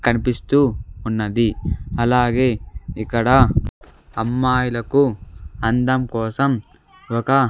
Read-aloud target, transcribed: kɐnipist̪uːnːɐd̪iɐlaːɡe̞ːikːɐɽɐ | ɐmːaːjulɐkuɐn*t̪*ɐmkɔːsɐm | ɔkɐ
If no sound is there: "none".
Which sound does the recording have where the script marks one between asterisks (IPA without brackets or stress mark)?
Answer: d̪